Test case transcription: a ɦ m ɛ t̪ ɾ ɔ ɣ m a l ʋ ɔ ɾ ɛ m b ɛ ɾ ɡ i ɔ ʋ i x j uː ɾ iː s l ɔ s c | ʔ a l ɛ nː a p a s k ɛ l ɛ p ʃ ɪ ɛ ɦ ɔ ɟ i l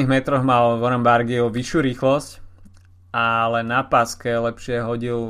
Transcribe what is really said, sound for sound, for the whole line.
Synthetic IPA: i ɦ m ɛ t̪ ɾ ɔ ɣ m a l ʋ ɔ ɾ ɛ m b a ɾ ɡ i ɔ ʋ i ʃ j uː ɾ iː x l ɔ s c | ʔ a l ɛ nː a p a s k ɛ l ɛ p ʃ ɪ ɛ ɦ ɔ ɟ i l